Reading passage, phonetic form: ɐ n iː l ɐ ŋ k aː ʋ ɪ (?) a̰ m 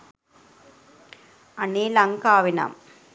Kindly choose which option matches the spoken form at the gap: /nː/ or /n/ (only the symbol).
n